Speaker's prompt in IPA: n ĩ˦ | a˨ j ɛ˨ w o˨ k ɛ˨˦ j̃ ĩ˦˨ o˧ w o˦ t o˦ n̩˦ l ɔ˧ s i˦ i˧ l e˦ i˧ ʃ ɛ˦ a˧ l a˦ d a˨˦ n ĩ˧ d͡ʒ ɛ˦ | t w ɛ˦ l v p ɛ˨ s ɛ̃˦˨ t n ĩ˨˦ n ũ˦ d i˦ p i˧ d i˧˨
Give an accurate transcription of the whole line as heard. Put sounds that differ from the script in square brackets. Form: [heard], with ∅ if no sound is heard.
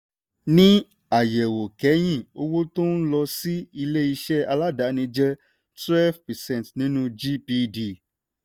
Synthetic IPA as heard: n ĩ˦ | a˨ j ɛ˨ w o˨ k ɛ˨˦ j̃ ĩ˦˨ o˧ w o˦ t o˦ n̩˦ l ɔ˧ s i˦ i˧ l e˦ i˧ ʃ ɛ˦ a˧ l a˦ d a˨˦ n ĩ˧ d͡ʒ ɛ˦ | t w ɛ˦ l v p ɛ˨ s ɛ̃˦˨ t n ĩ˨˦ n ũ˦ [d͡ʒ] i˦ p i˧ d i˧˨